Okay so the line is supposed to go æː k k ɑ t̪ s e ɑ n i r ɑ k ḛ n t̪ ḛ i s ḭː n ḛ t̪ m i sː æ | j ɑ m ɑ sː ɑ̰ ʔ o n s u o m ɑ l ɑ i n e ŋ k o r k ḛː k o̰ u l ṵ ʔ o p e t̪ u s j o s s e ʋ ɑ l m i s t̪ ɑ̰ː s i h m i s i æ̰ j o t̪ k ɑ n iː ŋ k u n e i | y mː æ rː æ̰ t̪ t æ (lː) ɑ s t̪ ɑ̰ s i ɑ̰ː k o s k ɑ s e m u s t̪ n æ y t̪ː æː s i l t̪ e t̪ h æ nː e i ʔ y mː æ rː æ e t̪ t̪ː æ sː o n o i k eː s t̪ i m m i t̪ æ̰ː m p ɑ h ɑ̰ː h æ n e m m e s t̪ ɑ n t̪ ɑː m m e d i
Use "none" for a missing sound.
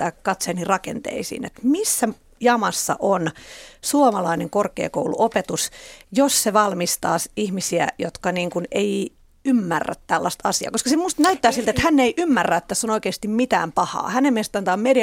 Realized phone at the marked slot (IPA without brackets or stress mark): lː